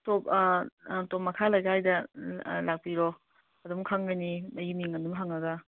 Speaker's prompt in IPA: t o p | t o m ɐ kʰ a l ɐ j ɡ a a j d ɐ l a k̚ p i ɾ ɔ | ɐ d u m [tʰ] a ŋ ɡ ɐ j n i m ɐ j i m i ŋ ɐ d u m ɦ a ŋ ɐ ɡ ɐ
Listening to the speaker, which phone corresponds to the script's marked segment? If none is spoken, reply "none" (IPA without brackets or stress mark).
kʰ